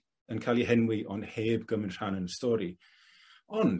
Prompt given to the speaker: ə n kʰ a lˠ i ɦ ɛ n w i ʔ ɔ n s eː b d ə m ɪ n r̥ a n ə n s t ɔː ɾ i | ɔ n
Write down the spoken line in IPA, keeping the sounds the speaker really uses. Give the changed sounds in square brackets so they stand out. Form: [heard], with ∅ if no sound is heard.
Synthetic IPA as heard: ə n kʰ a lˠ i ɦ ɛ n w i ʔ ɔ n [h] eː b [ɡ] ə m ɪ n r̥ a n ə n s t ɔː ɾ i | ɔ n